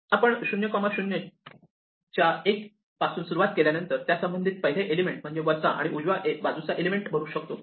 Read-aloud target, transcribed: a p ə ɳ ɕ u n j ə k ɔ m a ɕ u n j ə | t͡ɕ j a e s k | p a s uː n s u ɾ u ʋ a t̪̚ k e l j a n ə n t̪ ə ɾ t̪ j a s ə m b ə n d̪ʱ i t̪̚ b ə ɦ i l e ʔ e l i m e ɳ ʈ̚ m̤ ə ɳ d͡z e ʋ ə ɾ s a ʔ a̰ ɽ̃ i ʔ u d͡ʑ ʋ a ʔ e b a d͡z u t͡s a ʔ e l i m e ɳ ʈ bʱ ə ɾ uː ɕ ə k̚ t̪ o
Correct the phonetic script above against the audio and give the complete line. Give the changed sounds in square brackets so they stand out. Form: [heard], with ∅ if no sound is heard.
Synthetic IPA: a p ə ɳ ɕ u n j ə k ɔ m a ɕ u n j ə | t͡ɕ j a e [∅] k | p a s uː n s u ɾ u ʋ a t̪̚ k e l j a n ə n t̪ ə ɾ t̪ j a s ə m b ə n d̪ʱ i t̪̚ [p] ə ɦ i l e ʔ e l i m e ɳ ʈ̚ m̤ ə ɳ d͡z e ʋ ə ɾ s a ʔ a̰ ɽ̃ i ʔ u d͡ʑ ʋ a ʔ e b a d͡z u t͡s a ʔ e l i m e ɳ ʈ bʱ ə ɾ uː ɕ ə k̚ t̪ o